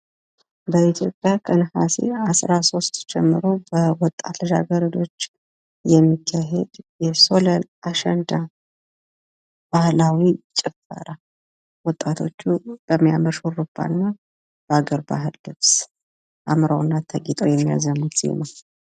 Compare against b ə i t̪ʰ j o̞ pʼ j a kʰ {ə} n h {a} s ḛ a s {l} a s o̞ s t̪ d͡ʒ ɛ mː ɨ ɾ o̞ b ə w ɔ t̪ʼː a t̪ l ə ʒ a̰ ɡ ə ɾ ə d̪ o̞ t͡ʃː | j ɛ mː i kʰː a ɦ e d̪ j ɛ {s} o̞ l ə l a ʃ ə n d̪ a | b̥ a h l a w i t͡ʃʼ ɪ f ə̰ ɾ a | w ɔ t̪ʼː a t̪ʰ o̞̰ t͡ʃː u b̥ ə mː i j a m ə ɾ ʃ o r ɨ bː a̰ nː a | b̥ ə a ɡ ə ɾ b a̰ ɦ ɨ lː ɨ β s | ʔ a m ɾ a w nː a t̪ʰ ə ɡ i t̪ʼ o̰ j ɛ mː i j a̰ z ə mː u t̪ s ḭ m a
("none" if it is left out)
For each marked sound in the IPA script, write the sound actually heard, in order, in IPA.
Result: ə, a, ɾ, s

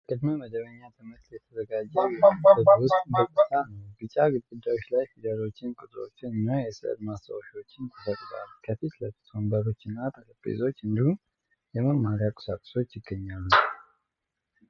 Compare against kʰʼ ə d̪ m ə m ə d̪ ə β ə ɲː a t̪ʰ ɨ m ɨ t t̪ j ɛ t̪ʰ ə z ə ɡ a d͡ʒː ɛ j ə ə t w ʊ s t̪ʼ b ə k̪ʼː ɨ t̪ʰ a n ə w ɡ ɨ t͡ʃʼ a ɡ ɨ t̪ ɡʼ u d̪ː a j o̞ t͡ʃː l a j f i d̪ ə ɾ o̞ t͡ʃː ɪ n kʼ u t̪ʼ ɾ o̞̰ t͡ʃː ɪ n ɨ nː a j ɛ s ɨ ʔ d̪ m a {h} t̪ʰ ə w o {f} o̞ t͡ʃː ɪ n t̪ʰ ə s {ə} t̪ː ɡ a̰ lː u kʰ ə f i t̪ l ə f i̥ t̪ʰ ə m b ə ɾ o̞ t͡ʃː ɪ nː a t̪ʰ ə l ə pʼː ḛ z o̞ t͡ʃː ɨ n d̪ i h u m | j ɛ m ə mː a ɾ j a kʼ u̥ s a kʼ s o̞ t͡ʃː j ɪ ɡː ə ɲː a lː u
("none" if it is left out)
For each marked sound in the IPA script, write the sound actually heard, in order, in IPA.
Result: s, ʃ, ə

